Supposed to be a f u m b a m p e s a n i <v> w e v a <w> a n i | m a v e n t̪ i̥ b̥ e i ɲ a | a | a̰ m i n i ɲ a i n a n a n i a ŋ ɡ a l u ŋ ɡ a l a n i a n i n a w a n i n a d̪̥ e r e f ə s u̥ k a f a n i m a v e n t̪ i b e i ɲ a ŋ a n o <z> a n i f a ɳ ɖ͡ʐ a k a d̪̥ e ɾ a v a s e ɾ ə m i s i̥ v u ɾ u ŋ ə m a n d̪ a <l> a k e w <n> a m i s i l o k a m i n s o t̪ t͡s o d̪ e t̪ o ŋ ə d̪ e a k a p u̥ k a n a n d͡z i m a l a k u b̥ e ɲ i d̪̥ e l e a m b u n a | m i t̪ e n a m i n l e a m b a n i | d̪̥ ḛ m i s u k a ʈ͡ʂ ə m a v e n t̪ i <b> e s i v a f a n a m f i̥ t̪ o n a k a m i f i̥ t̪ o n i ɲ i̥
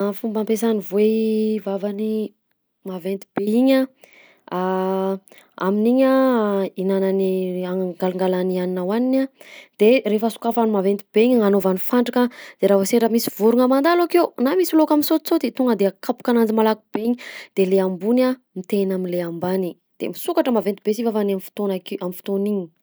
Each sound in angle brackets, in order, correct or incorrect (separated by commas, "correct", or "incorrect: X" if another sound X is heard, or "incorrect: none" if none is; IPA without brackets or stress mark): correct, incorrect: v, incorrect: v, correct, correct, correct